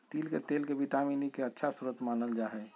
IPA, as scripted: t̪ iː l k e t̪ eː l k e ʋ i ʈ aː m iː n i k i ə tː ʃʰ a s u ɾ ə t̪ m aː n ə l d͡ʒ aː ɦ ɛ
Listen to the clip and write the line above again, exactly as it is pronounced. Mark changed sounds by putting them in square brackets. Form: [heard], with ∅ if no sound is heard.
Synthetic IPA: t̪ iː l k e t̪ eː l k e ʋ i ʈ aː m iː n i k [e] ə tː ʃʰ a s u ɾ ə t̪ m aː n ə l d͡ʒ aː ɦ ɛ